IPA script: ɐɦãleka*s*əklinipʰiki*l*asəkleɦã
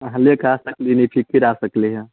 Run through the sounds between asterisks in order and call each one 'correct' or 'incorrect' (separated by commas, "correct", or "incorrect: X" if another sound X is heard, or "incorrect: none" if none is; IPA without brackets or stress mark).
correct, incorrect: ɾ